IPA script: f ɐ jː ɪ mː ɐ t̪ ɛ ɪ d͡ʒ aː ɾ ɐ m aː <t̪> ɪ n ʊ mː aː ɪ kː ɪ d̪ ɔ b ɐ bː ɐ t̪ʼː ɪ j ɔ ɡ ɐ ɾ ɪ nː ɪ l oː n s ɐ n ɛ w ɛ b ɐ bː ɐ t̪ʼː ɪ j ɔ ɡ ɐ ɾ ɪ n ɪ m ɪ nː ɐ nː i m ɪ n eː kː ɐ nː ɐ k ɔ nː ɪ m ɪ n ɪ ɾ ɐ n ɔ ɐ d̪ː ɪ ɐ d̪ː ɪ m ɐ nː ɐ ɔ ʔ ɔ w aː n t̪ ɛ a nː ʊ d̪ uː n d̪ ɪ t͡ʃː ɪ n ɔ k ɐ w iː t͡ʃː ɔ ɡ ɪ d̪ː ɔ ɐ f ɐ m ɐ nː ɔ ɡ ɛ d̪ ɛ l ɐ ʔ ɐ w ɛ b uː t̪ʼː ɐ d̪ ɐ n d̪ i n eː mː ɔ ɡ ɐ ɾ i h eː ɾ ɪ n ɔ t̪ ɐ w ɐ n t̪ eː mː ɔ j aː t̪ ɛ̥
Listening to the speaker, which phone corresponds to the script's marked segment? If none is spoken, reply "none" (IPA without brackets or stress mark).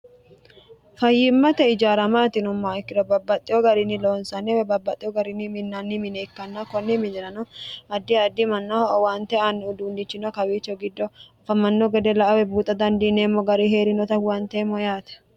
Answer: t̪